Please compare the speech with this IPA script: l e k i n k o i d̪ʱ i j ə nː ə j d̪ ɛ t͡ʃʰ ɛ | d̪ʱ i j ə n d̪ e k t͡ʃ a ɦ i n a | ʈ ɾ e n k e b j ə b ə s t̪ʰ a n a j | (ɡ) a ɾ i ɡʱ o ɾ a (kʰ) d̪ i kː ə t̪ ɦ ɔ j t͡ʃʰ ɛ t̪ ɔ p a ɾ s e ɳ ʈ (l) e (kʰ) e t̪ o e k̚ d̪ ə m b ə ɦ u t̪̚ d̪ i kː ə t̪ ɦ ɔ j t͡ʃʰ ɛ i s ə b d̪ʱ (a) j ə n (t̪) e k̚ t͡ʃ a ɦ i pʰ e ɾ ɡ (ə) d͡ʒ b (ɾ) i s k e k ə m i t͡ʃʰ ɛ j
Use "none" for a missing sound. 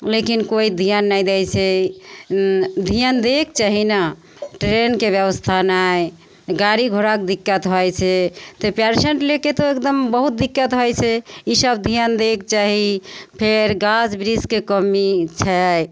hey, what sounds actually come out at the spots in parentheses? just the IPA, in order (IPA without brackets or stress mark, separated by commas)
ɡ, k, l, k, i, d̪, a, ɾ